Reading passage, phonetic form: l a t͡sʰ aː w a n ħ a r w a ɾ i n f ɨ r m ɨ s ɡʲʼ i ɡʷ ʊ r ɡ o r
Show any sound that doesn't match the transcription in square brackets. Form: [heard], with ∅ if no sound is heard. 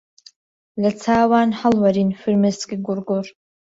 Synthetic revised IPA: l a t͡sʰ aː w a n ħ a [l] w a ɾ i n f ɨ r m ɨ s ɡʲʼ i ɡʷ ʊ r ɡ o r